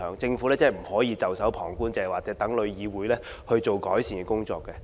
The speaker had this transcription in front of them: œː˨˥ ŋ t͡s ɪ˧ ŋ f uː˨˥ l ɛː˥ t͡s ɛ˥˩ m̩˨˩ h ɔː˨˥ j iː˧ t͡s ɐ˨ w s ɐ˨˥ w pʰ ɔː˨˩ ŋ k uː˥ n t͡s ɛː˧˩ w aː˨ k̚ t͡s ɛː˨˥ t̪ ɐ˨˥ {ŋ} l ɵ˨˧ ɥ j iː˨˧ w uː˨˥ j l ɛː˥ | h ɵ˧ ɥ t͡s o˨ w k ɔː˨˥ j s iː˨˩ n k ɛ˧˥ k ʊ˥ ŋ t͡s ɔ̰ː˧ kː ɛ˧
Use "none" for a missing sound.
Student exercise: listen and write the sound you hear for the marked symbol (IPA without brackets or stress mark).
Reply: ŋ